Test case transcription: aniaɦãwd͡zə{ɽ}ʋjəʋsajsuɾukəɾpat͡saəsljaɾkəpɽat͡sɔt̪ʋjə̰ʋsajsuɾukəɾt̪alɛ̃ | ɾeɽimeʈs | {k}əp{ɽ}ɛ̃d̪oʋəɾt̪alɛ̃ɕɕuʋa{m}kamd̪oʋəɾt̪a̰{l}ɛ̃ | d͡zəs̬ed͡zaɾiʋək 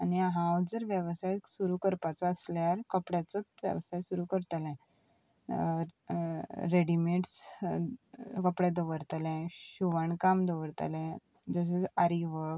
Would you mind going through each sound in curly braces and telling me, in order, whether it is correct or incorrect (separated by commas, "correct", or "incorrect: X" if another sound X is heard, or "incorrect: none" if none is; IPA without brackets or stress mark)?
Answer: incorrect: ɾ, correct, correct, incorrect: ɳ, correct